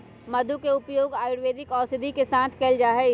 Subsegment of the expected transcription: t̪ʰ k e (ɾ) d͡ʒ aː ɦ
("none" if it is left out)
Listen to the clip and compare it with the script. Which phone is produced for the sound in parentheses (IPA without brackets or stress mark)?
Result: l